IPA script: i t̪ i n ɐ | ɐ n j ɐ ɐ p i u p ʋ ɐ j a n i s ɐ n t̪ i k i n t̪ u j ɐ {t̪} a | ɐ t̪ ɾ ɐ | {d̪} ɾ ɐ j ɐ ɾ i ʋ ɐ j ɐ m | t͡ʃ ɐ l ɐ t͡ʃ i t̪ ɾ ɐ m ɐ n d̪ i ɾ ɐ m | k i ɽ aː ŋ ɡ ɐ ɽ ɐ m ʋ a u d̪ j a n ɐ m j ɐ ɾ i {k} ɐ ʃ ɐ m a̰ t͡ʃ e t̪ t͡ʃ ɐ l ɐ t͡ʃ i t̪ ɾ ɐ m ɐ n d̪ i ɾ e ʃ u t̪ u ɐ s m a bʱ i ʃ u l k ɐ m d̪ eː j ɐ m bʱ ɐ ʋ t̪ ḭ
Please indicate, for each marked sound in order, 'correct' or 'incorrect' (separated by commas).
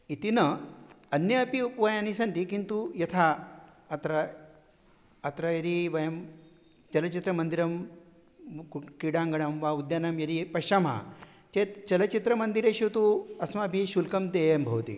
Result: incorrect, incorrect, incorrect